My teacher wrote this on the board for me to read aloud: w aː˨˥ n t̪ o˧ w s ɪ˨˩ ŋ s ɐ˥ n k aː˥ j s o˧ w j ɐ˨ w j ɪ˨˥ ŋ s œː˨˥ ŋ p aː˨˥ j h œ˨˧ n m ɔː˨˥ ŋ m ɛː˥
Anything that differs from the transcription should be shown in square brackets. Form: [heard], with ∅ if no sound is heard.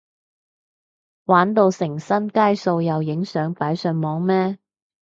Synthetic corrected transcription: w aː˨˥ n t̪ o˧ w s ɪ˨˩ ŋ s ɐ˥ n k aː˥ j s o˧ w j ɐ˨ w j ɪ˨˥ ŋ s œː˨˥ ŋ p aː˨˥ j [s] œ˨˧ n m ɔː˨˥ ŋ m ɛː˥